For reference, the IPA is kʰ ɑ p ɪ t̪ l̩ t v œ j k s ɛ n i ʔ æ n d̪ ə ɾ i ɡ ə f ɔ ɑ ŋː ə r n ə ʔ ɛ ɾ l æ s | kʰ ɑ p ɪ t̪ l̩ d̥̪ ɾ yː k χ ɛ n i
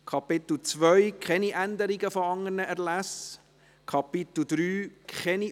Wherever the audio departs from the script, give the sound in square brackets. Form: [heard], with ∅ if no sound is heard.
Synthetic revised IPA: kʰ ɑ p ɪ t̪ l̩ [t͡s] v œ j k [χ] ɛ n i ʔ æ n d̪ ə ɾ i ɡ ə f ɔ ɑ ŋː ə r n ə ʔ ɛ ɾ l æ s | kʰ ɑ p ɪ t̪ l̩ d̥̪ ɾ yː k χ ɛ n i

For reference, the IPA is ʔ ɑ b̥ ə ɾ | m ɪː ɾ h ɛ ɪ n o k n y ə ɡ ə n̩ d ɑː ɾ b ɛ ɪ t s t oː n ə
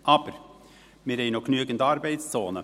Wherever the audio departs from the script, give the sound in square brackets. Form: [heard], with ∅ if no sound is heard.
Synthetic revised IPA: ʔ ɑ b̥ ə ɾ | m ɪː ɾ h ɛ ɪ n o k n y ə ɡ ə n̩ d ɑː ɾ b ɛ ɪ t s [t͡s] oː n ə

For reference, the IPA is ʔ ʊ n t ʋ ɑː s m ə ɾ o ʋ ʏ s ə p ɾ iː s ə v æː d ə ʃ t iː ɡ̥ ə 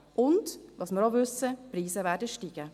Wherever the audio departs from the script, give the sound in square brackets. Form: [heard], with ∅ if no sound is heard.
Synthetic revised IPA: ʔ ʊ n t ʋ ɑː s m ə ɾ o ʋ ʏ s ə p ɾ iː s ə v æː d ə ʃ t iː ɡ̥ ə

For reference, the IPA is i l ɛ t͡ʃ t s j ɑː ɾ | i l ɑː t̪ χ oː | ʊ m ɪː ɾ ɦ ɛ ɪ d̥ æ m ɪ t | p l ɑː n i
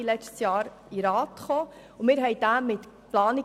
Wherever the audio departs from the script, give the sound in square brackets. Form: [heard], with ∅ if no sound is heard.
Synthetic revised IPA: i l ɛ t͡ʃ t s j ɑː ɾ | i [ɾ] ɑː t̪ χ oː | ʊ m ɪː ɾ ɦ ɛ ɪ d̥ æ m ɪ t | p l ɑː n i

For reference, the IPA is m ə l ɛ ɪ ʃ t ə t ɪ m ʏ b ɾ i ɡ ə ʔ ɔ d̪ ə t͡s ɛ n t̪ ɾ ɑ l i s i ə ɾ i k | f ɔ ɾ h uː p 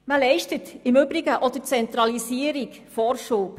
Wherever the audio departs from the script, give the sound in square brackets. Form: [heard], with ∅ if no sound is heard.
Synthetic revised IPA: m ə l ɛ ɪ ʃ t ə t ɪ m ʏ b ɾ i ɡ ə ʔ ɔ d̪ ə t͡s ɛ n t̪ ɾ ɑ l i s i ə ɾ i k | f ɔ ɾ [ʃ] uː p

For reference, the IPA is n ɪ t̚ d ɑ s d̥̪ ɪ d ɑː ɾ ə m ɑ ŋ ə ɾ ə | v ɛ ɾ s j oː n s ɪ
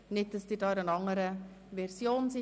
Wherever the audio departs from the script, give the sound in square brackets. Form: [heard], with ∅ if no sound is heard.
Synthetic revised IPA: n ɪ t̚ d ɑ s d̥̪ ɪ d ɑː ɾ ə [n] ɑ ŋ ə ɾ ə | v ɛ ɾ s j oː n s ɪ

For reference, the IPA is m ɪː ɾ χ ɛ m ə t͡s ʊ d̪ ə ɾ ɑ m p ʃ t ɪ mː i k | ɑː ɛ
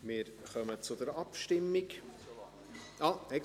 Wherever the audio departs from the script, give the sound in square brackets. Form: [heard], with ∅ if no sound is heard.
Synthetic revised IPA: m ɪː ɾ χ [œ] m ə t͡s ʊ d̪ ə ɾ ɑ [∅] p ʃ t ɪ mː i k | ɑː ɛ

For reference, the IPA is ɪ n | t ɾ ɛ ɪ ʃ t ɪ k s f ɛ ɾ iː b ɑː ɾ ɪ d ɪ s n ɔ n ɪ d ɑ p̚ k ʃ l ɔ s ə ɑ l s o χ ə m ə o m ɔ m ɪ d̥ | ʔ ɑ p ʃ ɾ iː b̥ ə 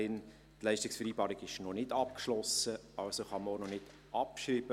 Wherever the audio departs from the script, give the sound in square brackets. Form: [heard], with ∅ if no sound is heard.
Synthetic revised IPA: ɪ n | t [l] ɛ ɪ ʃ t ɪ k s f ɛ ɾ iː b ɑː ɾ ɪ [ɡ] ɪ [ʃ] n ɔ n ɪ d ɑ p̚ k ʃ l ɔ s ə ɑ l s o χ [ɑ] m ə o [n] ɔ [n] ɪ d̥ | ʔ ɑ p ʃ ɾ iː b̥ ə

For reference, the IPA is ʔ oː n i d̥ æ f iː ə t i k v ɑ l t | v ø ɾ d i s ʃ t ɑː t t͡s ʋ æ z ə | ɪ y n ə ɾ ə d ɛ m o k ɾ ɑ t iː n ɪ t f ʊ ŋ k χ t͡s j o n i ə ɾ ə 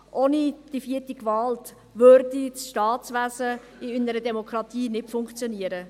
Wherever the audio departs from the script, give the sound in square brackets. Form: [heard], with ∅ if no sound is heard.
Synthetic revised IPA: ʔ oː n i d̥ [i] f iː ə t i k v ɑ l t | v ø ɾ d i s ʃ t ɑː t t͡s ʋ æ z ə | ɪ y n ə ɾ ə d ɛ m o k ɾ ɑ t iː n ɪ t f ʊ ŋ k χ t͡s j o n i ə ɾ ə

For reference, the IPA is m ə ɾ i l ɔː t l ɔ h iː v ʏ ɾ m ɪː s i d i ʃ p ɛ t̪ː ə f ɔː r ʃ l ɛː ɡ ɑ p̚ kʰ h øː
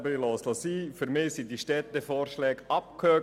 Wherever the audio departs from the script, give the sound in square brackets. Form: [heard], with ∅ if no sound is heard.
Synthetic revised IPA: [b] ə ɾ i l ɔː [s] l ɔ [s] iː [f] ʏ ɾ m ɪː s i d i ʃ [t] ɛ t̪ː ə f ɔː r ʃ l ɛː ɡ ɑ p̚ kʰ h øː

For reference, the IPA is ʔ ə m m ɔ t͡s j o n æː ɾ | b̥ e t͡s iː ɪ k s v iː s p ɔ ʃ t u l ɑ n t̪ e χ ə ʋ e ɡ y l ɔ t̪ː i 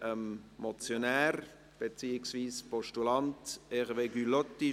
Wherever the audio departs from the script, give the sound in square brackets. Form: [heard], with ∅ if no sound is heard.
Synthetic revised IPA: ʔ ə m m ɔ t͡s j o n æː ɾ | b̥ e t͡s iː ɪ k s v iː s p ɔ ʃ t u l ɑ n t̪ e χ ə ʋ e ɡ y l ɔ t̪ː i

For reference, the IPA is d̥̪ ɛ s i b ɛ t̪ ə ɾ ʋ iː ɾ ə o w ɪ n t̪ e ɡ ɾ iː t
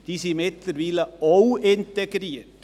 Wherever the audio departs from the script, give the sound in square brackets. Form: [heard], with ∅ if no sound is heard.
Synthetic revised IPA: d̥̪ [i] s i [m] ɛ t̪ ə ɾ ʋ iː [l] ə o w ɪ n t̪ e ɡ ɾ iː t

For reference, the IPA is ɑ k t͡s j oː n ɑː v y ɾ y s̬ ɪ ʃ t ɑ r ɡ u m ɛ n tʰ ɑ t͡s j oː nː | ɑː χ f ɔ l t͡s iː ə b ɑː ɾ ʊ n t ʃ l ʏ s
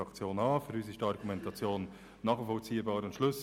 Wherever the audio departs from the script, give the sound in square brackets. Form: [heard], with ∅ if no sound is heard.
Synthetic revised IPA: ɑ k t͡s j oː n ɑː [f] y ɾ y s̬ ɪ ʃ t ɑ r ɡ u m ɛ n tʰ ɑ t͡s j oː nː | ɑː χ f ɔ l t͡s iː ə b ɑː ɾ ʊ n t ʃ l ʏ s

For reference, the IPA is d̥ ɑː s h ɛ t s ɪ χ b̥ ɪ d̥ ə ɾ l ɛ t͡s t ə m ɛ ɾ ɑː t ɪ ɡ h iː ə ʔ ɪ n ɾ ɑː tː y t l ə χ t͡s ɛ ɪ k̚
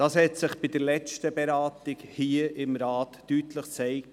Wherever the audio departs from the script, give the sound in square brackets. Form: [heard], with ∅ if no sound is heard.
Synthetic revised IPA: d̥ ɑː s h ɛ t s ɪ χ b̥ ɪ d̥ ə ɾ l ɛ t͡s t ə [b] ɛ ɾ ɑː t ɪ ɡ h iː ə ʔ ɪ [m] ɾ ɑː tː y t l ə χ t͡s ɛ ɪ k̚

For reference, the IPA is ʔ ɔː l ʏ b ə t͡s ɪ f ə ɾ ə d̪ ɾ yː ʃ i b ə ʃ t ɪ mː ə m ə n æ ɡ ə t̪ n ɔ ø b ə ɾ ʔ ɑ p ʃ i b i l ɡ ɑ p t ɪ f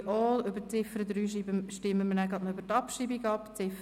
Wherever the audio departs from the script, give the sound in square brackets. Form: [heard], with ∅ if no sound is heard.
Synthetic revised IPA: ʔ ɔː l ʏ b ə t͡s ɪ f ə ɾ ə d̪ ɾ yː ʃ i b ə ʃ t ɪ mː ə m ə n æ ɡ [ɑ] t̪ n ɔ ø b ə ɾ [t] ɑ p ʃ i b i [∅] ɡ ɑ p [t͡s] ɪ f

